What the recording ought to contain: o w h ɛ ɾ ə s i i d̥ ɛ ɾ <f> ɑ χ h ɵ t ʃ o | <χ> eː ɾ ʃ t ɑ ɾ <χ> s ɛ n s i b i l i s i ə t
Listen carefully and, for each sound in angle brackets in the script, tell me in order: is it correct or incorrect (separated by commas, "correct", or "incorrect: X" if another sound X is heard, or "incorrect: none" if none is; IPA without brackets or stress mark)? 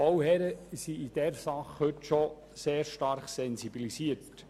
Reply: incorrect: s, incorrect: s, correct